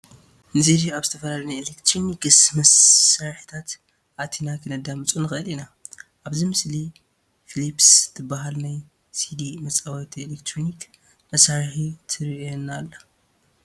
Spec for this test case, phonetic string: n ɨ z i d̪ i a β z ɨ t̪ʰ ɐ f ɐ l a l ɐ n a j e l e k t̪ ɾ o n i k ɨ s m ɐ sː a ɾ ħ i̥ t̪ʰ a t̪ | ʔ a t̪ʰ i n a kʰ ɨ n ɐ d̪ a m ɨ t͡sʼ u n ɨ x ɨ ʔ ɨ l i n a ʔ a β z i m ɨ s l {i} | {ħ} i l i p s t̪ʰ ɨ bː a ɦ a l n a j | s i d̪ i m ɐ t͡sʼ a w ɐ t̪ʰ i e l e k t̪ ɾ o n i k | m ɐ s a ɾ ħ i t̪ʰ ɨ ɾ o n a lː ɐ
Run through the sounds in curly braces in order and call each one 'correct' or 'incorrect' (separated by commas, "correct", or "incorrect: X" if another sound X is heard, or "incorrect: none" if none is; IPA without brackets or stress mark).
correct, incorrect: f